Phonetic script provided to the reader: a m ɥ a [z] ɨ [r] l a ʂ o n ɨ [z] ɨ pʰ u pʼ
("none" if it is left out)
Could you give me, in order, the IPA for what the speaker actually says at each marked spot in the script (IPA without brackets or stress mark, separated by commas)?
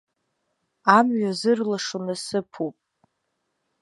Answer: z, r, s